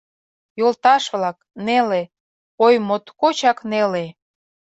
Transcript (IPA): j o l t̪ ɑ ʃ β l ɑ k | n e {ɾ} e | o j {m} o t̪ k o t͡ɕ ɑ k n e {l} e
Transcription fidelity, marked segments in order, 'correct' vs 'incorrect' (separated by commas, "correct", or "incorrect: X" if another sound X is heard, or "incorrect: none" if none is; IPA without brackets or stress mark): incorrect: l, correct, correct